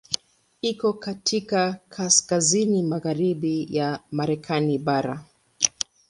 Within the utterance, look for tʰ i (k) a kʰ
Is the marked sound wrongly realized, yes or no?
no